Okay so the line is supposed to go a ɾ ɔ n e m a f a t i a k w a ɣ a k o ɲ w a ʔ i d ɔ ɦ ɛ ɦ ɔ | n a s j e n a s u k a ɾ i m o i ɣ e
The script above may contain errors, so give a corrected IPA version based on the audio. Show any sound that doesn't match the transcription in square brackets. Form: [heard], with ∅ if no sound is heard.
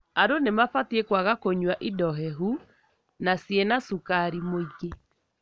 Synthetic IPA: a ɾ [o] n e m a f a t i [e] k w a ɣ a k o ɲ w a ʔ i d ɔ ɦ ɛ ɦ [u] | n a s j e n a s u k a ɾ i m o i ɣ e